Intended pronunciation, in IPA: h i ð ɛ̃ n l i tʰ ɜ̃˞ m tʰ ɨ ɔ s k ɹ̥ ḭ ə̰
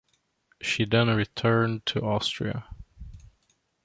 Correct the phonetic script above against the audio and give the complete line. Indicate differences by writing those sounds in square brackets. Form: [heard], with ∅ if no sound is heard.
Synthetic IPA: [ʃ] i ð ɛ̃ n [ɹ] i tʰ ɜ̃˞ [n] tʰ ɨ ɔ s [t] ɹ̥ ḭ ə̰